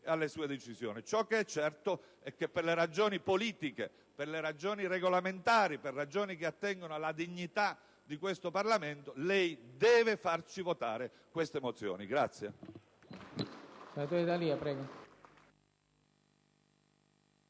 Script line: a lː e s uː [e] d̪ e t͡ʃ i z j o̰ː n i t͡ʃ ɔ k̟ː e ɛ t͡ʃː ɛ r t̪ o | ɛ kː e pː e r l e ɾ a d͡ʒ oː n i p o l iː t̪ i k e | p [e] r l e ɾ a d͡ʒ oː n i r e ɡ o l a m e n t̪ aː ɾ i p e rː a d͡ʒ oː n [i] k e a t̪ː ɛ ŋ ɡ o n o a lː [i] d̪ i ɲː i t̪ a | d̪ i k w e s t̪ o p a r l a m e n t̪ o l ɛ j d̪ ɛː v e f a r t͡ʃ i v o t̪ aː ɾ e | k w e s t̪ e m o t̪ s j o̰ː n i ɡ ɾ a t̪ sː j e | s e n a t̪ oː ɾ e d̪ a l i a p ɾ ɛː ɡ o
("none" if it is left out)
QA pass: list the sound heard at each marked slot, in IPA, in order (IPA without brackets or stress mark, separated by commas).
e, e, i, a